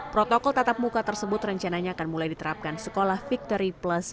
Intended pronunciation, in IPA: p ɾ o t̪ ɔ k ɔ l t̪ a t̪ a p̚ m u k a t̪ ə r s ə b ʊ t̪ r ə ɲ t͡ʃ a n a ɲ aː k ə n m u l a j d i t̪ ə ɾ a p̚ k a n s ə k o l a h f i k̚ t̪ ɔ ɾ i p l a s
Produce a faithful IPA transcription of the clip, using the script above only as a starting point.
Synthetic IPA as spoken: p ɾ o t̪ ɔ k ɔ l t̪ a t̪ a p̚ m u k a t̪ ə r s ə b ʊ t̪ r ə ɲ t͡ʃ a n a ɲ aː k a n m u l a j d i t̪ ə ɾ a p̚ k a n s ə k o l a h f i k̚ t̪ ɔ ɾ i p l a s